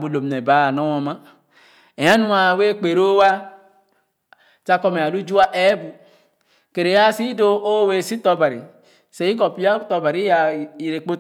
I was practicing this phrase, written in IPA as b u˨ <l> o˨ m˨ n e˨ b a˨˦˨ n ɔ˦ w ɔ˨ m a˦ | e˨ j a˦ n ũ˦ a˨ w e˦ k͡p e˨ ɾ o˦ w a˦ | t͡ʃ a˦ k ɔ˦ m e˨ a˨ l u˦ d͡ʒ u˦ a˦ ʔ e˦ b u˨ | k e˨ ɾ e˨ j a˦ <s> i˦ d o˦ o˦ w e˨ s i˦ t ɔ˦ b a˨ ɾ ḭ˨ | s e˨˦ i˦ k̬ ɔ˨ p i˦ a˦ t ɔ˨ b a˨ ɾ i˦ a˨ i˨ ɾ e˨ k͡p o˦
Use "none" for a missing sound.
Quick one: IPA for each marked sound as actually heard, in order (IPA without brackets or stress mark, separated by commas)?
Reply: l, s